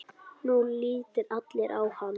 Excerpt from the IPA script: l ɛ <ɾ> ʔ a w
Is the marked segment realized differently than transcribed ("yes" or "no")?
no